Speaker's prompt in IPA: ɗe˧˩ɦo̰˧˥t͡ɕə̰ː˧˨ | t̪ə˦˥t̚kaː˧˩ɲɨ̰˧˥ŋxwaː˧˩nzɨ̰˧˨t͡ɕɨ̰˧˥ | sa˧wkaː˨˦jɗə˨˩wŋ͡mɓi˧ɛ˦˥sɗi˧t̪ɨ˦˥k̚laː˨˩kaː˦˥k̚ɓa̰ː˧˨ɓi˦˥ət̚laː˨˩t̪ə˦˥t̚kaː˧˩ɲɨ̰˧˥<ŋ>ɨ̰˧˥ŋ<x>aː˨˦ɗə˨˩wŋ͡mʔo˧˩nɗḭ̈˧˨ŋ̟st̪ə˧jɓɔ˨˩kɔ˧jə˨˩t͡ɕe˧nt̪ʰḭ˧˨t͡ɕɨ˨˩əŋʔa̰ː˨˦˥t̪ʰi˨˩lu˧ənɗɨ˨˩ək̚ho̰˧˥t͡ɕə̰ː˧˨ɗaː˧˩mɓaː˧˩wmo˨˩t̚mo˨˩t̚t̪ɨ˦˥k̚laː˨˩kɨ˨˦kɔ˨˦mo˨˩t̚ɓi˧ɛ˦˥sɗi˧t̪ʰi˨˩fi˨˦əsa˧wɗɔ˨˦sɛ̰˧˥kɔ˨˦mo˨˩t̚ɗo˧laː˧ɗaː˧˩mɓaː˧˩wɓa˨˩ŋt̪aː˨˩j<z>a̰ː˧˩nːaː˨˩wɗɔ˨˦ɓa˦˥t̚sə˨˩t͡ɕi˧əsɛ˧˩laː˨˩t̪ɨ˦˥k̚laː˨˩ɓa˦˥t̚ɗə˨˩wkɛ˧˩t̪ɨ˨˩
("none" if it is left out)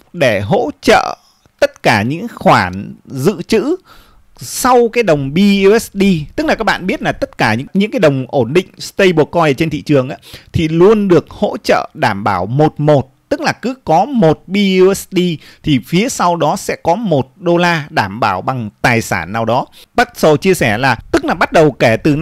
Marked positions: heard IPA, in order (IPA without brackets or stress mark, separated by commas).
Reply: ɲ, k, s